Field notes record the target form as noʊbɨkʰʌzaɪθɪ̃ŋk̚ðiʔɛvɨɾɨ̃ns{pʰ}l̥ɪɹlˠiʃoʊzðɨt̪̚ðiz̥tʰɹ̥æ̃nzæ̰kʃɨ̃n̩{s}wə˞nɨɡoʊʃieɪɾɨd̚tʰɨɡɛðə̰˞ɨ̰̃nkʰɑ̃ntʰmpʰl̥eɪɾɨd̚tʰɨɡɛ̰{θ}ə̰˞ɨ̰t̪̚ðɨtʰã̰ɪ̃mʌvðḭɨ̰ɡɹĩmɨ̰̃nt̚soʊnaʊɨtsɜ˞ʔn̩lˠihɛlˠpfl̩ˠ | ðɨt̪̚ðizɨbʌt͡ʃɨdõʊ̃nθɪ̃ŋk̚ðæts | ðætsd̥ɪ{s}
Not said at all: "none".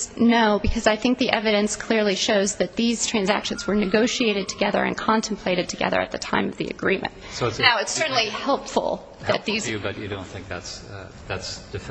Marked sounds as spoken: kʰ, z, ð, f

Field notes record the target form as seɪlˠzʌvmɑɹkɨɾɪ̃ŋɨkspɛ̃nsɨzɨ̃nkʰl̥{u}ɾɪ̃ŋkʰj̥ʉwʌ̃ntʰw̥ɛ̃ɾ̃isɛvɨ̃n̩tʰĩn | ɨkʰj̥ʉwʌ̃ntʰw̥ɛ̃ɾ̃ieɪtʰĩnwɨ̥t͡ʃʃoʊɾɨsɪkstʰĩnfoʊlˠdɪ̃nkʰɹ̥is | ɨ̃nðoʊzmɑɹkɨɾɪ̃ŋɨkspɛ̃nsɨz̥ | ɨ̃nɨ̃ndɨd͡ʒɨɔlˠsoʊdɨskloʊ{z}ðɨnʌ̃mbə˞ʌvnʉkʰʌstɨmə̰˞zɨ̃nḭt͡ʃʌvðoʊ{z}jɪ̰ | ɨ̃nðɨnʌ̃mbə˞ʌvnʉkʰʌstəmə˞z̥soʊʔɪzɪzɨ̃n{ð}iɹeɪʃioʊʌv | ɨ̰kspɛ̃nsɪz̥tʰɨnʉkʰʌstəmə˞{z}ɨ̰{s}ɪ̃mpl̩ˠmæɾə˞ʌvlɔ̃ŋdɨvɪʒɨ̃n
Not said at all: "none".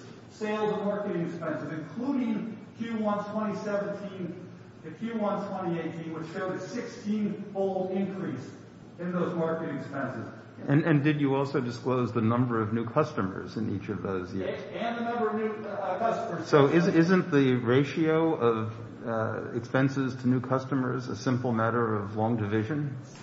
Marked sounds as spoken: u, z, z, ð, z, s

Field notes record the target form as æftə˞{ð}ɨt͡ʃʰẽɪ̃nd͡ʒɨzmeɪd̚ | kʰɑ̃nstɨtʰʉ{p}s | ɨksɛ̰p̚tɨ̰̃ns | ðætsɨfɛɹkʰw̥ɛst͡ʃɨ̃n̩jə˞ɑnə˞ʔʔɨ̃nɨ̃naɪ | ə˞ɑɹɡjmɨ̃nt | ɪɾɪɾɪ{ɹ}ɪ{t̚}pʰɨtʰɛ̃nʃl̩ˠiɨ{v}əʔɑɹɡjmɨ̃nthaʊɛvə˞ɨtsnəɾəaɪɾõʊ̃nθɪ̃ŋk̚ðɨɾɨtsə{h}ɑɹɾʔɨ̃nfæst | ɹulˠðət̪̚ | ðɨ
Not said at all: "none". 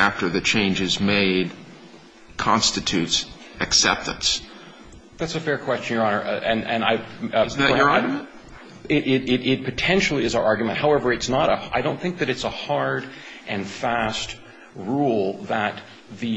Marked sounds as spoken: ð, t, ɾ, t̚, z, h

